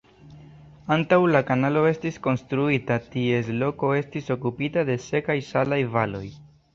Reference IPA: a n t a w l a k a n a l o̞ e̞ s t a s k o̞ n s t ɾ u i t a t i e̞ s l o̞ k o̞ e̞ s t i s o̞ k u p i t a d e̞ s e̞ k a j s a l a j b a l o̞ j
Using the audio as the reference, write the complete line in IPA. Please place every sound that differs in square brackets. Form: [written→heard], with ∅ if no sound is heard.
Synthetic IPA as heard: a n t a w l a k a n a l o̞ e̞ s t [a→i] s k o̞ n s t ɾ u i t a t i e̞ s l o̞ k o̞ e̞ s t i s o̞ k u p i t a d e̞ s e̞ k a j s a l a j [b→v] a l o̞ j